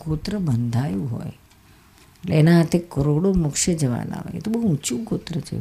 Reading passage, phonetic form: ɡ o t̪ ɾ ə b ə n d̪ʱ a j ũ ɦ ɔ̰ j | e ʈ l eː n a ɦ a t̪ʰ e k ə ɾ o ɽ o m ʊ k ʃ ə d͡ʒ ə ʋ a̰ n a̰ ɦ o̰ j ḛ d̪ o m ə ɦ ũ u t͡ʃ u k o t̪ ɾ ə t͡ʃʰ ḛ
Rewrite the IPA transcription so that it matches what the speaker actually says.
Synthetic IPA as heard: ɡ o t̪ ɾ ə b ə n d̪ʱ a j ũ ɦ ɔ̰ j | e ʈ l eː n a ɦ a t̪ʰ e k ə ɾ o ɽ o m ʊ k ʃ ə d͡ʒ ə ʋ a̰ n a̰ ɦ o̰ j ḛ t̪ o b ə ɦ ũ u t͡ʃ u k o t̪ ɾ ə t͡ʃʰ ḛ